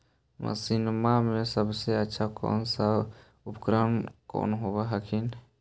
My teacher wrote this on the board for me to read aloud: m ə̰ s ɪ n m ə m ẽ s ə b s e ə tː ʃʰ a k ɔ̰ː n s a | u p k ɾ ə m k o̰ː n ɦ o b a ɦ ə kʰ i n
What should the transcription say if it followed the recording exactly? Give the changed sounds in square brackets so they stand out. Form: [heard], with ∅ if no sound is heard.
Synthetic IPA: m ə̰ s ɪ n m [a] m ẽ s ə b s e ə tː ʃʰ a k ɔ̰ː n s a | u p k ɾ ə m k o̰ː n ɦ o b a ɦ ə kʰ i n